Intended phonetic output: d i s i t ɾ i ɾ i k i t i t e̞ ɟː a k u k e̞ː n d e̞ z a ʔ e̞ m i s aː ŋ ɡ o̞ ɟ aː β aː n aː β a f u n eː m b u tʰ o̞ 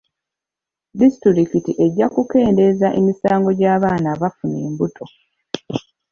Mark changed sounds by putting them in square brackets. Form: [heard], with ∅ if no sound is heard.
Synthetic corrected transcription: d i s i t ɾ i ɾ i k i t i [ʔ] e̞ ɟː a k u k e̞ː n d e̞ z a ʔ e̞ m i s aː ŋ ɡ o̞ ɟ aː β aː n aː β a f u n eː m b u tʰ o̞